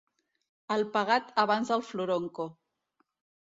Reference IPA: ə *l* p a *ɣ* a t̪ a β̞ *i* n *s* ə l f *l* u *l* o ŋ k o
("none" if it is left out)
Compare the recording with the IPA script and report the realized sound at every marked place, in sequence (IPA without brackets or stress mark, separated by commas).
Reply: l, ɣ, a, z, l, ɾ